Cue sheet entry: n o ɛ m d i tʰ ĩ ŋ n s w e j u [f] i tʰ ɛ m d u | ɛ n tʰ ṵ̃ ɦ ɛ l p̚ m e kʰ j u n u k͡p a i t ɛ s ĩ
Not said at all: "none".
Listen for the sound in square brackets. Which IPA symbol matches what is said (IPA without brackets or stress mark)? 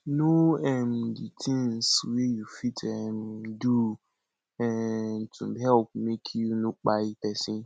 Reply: f